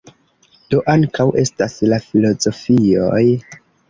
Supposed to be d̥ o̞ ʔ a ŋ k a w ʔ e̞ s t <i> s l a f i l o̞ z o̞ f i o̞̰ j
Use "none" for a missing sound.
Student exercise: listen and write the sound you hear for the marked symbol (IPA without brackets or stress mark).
a